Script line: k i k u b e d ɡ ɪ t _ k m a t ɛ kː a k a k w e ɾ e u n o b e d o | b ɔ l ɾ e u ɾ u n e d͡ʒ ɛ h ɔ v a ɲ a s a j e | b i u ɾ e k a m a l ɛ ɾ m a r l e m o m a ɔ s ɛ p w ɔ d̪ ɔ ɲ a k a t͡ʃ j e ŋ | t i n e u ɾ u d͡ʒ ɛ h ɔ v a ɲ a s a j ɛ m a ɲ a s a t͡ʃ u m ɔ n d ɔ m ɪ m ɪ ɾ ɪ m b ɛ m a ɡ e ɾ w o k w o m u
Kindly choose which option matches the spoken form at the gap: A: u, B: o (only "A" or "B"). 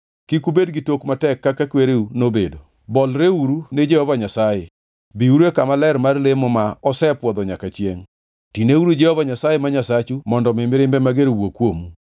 B